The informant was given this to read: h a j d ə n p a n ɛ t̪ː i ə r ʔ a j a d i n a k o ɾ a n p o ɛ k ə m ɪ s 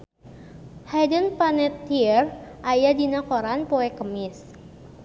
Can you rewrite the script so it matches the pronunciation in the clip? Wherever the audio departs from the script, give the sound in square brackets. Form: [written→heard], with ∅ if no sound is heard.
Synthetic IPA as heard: h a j d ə n p a n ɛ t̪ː i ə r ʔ a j a d i n a k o ɾ a n p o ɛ k ə m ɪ s